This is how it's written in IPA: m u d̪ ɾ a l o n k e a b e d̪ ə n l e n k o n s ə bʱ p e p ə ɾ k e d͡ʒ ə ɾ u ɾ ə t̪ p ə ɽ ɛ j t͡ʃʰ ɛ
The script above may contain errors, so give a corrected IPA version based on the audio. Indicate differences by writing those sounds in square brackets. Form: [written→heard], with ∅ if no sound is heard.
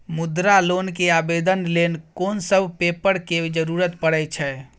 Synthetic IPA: m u d̪ ɾ a l o n k e a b e d̪ ə n l e n k o n s ə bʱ p e p ə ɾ k e d͡ʒ ə ɾ u ɾ ə t̪ p ə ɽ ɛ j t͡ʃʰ ɛ